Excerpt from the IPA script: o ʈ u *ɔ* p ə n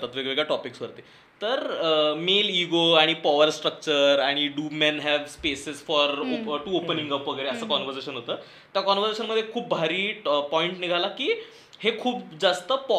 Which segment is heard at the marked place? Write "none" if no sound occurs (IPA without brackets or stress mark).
o